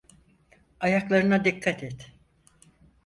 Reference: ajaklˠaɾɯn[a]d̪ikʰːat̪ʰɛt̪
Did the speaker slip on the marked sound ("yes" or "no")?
no